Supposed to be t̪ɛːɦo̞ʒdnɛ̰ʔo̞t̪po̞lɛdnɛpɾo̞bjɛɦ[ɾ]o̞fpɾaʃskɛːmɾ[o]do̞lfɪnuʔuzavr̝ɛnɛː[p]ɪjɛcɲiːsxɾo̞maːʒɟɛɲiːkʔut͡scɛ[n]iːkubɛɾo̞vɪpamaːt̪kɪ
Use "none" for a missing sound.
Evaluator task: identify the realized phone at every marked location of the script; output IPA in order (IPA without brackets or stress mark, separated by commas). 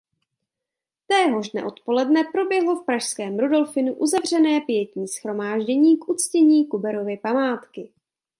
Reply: l, u, p, ɲ